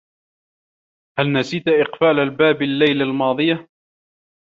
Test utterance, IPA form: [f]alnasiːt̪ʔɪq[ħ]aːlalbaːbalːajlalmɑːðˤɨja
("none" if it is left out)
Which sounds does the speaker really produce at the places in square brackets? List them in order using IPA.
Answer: h, f

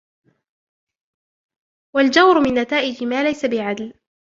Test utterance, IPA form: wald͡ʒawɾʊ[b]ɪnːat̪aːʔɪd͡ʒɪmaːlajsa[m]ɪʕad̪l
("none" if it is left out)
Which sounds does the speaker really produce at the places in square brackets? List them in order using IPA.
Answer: m, b

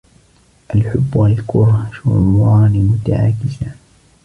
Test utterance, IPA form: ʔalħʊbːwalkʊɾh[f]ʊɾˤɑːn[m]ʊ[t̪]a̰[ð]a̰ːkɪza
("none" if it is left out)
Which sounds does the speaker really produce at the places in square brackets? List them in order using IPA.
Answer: ʃ, m, t̪, ʕ

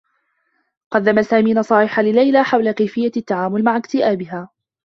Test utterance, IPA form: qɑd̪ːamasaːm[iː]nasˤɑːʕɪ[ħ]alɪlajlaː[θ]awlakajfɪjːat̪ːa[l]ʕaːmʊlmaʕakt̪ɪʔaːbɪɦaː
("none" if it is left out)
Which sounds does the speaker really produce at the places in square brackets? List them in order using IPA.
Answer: iː, ħ, ħ, none

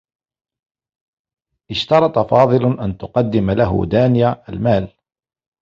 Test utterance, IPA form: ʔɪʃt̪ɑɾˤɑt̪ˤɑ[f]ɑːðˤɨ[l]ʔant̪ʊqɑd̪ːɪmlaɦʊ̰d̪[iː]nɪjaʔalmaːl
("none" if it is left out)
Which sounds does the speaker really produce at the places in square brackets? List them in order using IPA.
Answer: f, l, aː

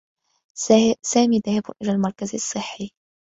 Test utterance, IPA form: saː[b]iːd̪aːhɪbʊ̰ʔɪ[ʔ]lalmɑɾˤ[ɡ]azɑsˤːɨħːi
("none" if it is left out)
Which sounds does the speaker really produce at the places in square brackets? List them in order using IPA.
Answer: m, none, k

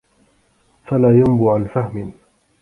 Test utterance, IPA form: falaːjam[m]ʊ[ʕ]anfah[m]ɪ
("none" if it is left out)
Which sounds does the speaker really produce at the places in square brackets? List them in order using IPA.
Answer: b, ʕ, m

